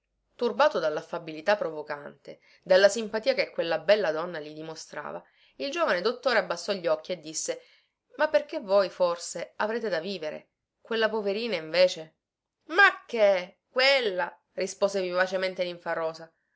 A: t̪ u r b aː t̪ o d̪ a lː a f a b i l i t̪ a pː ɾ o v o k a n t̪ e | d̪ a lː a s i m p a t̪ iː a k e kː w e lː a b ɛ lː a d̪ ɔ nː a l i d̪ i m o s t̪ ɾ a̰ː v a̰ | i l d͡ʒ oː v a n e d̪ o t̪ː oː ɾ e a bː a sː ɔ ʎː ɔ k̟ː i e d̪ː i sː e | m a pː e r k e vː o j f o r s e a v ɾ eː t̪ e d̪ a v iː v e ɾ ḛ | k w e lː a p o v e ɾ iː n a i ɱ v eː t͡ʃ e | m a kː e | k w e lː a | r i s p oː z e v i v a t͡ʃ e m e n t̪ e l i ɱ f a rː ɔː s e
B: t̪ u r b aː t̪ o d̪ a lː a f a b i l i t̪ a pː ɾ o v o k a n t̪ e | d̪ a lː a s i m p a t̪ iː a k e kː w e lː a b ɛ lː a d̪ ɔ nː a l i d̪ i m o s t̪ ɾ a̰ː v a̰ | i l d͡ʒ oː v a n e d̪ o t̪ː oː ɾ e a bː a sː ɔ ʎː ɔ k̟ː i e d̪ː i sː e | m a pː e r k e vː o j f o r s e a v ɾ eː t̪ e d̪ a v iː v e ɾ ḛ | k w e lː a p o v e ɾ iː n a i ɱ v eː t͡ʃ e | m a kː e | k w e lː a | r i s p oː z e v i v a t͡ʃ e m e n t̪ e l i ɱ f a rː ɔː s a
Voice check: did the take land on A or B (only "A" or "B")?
B